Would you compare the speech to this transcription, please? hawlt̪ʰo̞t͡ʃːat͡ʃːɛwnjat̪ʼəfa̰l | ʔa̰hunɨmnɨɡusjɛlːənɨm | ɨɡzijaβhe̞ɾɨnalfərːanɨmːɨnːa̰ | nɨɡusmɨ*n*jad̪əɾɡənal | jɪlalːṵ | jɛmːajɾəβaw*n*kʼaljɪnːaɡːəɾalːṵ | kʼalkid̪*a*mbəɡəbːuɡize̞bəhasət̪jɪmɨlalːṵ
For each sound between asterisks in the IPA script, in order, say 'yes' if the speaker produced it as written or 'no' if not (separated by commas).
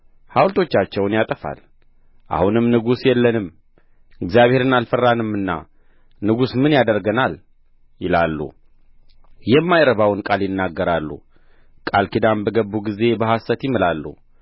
yes, yes, yes